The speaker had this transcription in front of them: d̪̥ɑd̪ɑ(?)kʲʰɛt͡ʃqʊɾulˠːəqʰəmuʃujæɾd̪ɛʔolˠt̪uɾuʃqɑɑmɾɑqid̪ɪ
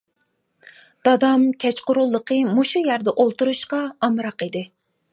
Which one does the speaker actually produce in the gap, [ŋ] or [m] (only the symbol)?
m